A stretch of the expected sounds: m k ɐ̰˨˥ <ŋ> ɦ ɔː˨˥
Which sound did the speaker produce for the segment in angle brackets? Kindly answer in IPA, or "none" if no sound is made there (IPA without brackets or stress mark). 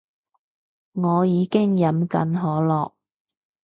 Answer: n